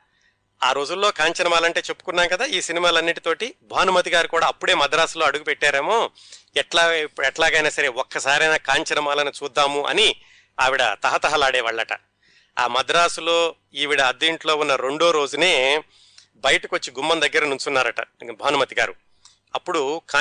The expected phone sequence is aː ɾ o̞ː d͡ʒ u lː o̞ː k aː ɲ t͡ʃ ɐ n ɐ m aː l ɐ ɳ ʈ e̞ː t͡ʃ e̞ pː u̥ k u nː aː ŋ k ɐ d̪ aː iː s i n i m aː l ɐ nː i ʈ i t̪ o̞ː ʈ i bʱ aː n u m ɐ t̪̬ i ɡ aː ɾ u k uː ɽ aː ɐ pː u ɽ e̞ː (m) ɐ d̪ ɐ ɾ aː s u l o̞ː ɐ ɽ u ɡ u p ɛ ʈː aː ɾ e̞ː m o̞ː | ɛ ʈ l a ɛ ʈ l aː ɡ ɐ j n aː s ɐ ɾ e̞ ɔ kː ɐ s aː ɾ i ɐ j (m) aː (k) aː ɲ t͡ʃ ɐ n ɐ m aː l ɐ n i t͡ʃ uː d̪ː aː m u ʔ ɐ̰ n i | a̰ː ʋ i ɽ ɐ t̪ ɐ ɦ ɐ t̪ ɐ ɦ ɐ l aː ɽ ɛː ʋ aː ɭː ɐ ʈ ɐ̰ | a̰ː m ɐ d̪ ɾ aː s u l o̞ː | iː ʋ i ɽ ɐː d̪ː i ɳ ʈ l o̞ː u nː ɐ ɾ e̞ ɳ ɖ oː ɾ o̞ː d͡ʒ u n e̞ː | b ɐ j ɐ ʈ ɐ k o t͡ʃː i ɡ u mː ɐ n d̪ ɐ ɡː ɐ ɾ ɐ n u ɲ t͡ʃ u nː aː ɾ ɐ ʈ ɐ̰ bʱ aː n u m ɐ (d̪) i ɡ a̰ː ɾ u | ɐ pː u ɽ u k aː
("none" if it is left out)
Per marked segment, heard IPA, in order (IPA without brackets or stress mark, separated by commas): m, n, k, t̪